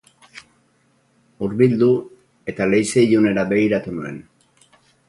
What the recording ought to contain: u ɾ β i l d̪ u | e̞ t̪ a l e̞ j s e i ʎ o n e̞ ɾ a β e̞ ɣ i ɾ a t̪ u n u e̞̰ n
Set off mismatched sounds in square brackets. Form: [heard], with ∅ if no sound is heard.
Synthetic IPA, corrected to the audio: u ɾ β i l d̪ u | e̞ t̪ a l e̞ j s e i ʎ [u] n e̞ ɾ a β e̞ ɣ i ɾ a t̪ u n u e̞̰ n